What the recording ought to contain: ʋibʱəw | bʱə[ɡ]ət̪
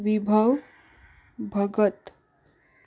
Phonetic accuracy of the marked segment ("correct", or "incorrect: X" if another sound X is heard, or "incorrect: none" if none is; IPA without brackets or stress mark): correct